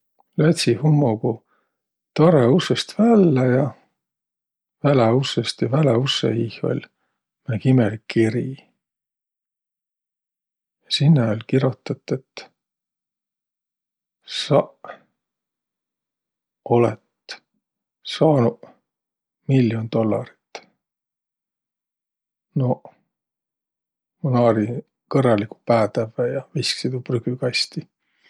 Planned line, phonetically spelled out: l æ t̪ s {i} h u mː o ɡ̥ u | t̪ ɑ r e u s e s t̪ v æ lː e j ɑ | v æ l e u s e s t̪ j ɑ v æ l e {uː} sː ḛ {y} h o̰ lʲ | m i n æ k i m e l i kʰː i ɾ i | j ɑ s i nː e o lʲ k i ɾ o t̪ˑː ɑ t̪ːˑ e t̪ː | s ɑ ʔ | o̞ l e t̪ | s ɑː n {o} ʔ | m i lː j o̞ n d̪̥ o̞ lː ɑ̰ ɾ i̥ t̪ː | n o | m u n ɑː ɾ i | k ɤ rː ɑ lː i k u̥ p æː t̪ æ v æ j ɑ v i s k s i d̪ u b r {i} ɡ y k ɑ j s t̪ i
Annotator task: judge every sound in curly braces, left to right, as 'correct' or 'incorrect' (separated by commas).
correct, incorrect, incorrect, incorrect, incorrect